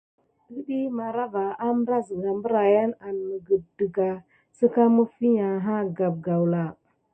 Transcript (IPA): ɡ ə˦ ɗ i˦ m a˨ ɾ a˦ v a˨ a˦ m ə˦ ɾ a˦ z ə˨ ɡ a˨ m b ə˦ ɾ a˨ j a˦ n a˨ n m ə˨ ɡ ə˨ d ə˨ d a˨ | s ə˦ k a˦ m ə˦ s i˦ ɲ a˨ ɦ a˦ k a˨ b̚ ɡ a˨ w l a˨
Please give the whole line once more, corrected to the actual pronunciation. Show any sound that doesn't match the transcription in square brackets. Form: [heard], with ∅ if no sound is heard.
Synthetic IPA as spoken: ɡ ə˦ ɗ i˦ m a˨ ɾ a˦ v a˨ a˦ m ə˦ ɾ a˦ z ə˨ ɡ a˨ m b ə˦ ɾ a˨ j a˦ n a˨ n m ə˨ ɡ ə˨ d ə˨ [ɡ] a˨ | s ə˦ k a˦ m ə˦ [f] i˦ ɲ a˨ ɦ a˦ [ɡ] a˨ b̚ ɡ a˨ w l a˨